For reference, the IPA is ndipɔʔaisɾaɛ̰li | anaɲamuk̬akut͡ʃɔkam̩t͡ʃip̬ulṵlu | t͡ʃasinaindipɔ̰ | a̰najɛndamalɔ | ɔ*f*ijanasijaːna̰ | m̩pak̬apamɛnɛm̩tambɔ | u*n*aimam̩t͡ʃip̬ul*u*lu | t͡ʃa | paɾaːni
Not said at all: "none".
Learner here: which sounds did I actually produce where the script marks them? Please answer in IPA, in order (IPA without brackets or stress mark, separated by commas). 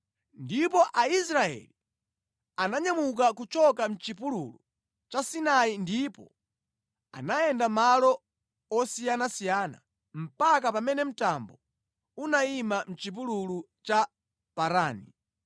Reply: s, n, u